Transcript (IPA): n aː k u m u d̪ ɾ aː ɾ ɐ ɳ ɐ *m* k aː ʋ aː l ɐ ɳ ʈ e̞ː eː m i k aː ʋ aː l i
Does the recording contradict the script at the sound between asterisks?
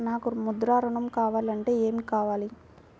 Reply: no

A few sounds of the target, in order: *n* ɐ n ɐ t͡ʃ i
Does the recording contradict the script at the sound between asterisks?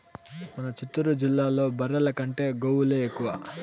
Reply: yes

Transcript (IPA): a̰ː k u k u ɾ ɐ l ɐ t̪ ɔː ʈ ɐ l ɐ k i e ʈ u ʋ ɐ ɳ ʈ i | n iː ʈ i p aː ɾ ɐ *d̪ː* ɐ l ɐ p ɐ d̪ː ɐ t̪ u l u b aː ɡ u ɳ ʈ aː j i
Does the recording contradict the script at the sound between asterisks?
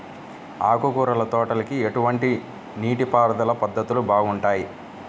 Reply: yes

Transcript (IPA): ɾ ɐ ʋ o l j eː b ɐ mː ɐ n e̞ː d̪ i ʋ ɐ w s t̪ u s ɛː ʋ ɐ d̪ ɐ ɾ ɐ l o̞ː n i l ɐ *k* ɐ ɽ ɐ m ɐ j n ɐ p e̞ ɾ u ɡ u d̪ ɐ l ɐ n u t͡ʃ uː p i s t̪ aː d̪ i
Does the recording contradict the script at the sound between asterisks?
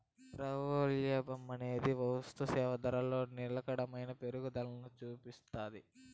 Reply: no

